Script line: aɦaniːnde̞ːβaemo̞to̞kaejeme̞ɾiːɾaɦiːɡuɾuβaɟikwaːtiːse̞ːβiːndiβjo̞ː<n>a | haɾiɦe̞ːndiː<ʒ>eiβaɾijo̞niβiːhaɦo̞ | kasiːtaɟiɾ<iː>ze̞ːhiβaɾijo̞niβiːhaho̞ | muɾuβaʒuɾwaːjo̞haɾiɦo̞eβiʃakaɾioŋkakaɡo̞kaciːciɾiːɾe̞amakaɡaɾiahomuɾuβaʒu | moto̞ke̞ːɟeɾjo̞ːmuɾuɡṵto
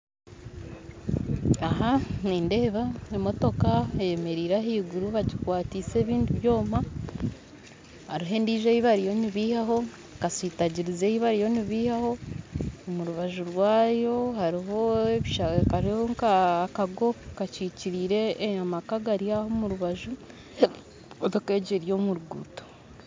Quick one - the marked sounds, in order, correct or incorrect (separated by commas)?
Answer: incorrect, correct, incorrect